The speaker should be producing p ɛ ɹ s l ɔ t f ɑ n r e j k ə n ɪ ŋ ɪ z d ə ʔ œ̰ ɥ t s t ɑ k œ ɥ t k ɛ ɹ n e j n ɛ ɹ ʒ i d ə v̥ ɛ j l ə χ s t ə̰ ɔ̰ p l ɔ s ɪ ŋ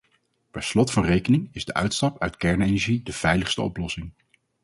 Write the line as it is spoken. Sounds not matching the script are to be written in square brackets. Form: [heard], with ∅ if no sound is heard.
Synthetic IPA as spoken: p ɛ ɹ s l ɔ t f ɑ n r e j k ə n ɪ ŋ ɪ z d ə ʔ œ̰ ɥ t s t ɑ [p] œ ɥ t k ɛ ɹ n e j n ɛ ɹ ʒ i d ə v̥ ɛ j l ə χ s t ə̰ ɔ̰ p l ɔ s ɪ ŋ